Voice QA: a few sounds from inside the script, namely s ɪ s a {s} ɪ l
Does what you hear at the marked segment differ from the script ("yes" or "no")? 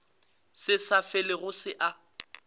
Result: yes